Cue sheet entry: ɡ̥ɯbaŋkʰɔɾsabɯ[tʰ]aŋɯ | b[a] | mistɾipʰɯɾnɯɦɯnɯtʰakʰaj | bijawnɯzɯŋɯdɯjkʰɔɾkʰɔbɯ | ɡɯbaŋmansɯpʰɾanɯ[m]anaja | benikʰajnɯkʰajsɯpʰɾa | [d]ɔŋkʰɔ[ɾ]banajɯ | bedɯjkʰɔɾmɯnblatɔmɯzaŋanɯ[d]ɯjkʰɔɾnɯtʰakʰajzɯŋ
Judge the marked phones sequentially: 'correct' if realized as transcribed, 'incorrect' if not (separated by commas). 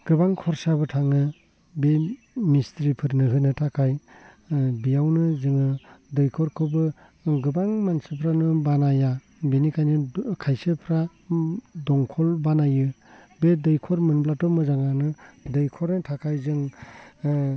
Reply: correct, incorrect, incorrect, correct, incorrect, correct